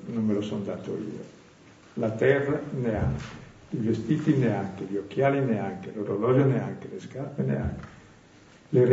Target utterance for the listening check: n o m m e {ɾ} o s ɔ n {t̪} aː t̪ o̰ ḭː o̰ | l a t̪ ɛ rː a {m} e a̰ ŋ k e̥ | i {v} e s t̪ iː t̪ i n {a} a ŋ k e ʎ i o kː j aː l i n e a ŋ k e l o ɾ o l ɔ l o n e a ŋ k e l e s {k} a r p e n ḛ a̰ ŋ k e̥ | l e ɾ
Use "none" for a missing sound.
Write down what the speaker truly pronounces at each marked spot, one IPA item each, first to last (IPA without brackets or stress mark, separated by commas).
l, d̪, n, v, e, k